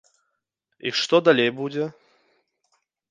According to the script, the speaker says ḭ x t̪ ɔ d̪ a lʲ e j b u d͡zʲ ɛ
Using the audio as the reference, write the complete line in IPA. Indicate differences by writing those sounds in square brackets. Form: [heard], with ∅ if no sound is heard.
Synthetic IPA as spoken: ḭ [ʂ] t̪ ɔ d̪ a lʲ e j b u d͡zʲ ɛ